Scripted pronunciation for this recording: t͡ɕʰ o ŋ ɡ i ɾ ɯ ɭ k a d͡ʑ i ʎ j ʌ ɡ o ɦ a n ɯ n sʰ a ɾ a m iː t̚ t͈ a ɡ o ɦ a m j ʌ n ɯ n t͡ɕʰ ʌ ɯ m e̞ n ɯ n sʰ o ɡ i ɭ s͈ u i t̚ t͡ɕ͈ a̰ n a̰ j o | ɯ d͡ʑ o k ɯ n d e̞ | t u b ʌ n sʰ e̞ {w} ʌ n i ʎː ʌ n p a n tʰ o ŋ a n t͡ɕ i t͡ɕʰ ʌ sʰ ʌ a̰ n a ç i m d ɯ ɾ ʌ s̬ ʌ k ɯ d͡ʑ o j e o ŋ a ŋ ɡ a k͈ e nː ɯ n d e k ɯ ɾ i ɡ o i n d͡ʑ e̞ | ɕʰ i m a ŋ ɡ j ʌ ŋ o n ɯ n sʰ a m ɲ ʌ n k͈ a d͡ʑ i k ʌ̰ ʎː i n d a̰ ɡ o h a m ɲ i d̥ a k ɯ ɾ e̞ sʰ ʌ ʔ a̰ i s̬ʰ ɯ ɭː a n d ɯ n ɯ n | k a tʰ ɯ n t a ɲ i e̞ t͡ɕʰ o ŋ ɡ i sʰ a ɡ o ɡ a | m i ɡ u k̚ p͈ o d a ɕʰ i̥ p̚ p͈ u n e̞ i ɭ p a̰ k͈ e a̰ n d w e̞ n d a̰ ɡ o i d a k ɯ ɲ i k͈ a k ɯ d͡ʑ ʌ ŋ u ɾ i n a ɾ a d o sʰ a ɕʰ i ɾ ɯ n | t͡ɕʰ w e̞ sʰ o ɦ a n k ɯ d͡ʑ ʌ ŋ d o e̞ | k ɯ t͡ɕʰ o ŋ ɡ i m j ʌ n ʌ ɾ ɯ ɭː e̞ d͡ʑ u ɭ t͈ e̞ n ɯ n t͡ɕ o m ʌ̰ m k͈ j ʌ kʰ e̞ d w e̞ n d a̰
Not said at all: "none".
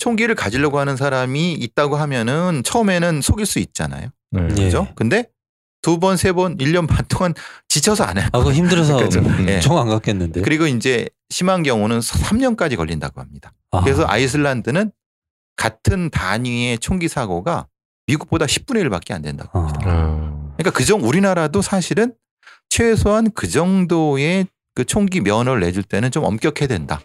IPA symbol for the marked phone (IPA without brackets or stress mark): b